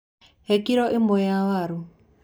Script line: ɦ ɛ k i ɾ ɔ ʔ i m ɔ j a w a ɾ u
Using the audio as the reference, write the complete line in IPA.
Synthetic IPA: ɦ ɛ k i ɾ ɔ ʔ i m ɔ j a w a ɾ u